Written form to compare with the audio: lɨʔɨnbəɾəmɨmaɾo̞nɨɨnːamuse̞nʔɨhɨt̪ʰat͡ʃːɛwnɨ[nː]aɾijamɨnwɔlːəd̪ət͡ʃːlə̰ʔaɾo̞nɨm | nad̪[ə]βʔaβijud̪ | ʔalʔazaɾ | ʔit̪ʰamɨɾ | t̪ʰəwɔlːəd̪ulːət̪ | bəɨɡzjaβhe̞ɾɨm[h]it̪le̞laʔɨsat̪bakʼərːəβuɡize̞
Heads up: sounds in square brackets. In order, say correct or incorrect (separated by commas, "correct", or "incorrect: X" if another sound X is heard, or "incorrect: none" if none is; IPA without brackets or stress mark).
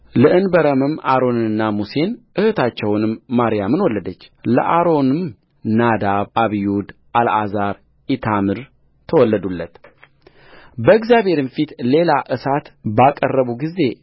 incorrect: mː, incorrect: a, incorrect: f